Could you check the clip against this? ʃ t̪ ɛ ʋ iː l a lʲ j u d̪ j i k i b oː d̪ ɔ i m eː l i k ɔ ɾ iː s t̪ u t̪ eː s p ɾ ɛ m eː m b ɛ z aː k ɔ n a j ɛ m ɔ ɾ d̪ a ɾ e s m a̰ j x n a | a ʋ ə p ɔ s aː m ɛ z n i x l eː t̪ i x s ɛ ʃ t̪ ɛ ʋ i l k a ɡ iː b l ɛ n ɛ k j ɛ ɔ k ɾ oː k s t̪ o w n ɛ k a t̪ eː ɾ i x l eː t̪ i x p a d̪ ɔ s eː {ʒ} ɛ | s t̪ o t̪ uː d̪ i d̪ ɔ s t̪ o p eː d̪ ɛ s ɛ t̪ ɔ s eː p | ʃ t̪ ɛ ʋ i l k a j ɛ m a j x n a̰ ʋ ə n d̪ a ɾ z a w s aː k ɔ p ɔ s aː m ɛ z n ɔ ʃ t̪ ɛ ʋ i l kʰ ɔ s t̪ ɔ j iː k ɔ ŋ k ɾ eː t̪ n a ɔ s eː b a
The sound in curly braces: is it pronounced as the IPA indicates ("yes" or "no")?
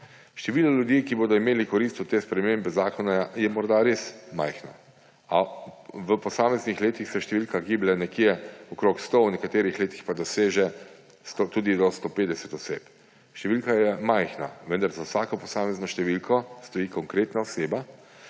yes